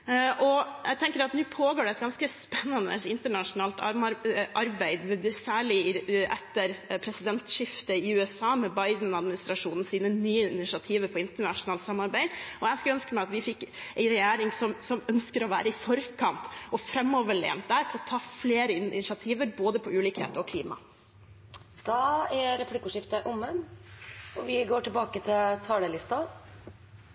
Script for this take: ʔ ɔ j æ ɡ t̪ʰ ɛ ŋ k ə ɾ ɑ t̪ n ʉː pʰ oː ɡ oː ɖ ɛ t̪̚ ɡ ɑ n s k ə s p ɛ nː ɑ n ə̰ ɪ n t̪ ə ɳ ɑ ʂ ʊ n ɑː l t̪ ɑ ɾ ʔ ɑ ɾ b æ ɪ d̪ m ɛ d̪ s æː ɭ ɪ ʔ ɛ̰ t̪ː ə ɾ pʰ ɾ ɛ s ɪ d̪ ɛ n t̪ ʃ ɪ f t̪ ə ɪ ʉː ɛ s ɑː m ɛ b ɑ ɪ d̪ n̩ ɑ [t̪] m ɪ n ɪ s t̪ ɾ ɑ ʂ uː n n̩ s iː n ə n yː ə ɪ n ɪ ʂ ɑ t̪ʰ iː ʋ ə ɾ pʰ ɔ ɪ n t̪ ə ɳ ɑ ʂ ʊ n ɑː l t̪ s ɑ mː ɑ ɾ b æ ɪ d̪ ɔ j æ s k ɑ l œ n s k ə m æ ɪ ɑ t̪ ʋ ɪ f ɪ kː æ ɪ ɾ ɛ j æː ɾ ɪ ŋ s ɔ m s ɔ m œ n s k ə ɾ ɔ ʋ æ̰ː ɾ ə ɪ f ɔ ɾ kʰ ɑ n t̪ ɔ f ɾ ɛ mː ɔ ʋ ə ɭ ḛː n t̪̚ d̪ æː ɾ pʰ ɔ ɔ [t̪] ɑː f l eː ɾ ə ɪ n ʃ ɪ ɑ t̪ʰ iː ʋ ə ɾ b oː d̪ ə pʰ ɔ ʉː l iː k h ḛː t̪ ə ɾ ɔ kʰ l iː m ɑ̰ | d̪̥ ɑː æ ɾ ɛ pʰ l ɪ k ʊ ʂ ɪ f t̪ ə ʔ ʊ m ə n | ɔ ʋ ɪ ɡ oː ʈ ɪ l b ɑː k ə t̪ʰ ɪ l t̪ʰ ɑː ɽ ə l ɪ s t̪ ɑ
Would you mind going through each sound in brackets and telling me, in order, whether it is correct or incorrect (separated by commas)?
incorrect, incorrect